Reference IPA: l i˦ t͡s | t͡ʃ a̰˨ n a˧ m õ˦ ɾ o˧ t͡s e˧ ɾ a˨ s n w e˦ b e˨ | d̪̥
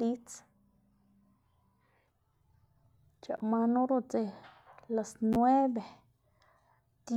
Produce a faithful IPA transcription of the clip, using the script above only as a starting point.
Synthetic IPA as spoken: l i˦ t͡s | t͡ʃ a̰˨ m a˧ n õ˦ ɾ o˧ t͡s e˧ l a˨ s n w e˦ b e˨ | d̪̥